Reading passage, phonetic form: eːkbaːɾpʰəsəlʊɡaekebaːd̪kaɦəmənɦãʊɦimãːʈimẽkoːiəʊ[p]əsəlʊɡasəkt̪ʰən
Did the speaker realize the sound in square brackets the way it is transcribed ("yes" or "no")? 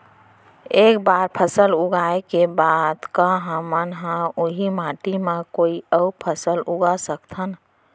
no